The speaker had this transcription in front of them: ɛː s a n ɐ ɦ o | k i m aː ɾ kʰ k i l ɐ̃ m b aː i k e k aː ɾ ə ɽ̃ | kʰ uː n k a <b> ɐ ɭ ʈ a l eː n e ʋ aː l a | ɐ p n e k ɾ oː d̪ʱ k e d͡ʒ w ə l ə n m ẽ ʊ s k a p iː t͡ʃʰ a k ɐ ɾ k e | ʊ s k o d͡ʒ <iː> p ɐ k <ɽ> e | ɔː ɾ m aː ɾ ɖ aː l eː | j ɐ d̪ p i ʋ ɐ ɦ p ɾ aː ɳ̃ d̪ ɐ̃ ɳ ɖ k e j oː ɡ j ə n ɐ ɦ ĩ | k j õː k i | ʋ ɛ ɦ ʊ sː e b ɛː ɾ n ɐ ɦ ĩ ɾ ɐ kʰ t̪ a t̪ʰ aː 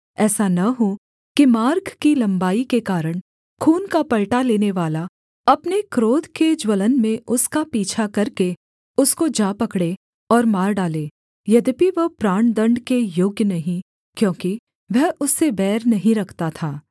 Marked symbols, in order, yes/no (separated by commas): no, no, yes